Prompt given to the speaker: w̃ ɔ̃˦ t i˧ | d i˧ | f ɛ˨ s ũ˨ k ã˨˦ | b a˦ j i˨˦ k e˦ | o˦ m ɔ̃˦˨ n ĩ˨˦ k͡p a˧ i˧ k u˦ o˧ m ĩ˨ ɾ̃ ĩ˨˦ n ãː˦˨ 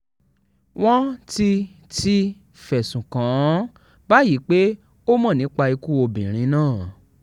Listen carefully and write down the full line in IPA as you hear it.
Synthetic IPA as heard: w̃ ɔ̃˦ t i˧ | t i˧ | f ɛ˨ s ũ˨ k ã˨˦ | b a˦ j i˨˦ k͡p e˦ | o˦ m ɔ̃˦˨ n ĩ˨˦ k͡p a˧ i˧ k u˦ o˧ b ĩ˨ ɾ̃ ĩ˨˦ n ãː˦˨